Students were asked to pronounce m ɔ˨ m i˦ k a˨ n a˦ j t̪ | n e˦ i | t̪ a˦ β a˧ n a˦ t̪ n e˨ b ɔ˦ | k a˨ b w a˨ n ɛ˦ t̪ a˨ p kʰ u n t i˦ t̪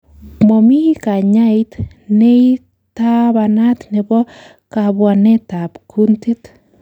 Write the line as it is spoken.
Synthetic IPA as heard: m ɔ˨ m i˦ k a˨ ɲ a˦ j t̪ | n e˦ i | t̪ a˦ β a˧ n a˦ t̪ n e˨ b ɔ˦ | k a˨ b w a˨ n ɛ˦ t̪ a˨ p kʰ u n t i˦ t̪

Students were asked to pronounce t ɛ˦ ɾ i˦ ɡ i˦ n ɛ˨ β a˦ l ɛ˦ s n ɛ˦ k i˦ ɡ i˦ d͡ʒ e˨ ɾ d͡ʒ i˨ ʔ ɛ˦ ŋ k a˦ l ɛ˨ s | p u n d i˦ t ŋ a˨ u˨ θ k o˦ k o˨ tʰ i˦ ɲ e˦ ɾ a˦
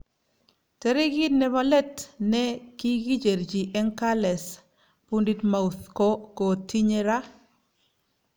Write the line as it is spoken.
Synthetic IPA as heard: t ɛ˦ ɾ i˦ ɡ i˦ n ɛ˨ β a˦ l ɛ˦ t n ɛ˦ k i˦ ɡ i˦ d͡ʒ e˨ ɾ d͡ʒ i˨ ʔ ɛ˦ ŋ k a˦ l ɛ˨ s | p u n d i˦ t m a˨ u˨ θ k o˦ k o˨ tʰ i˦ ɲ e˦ ɾ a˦

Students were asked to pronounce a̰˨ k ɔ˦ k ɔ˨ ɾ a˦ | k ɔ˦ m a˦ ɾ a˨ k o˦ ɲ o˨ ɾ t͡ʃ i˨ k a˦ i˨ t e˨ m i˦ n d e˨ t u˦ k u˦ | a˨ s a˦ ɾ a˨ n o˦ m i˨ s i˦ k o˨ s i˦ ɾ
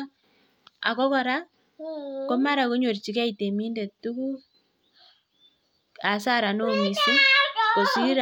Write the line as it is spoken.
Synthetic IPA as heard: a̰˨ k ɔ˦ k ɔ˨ ɾ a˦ | k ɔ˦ m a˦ ɾ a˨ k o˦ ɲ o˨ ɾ t͡ʃ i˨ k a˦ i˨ t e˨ m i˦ n d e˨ t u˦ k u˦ | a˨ s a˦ ɾ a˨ n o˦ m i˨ s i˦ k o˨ s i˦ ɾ

